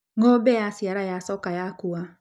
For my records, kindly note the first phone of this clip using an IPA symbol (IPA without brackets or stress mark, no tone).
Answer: ŋ